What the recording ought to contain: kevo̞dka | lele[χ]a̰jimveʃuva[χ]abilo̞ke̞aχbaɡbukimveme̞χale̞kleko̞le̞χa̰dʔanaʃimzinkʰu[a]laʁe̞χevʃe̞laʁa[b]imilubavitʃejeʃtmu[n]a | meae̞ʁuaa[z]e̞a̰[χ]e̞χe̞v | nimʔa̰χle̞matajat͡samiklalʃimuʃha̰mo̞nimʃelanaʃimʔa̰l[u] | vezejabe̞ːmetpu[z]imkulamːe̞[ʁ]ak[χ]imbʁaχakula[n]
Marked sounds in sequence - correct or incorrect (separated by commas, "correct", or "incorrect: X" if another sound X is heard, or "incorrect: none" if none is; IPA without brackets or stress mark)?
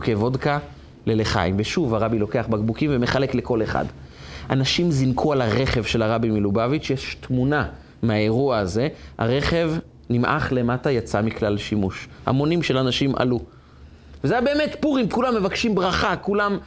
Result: correct, incorrect: ʁ, correct, correct, correct, correct, incorrect: ʁ, correct, incorrect: ʁ, incorrect: v, incorrect: ʃ, incorrect: m